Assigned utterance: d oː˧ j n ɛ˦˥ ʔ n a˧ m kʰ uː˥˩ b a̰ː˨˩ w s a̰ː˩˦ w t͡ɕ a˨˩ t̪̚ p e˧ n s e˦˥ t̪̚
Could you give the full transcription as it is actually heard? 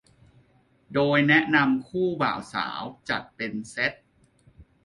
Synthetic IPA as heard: d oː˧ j n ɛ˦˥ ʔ n a˧ m kʰ uː˥˩ b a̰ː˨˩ w s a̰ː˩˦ w t͡ɕ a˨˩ t̪̚ p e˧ n s e˦˥ t̪̚